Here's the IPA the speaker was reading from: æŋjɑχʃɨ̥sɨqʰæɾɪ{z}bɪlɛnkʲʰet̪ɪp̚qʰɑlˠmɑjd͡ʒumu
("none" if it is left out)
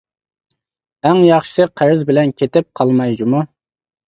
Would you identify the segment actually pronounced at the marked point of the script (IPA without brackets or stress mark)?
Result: z